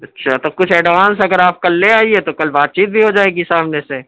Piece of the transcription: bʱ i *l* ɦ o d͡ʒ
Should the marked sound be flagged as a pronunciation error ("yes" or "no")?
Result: yes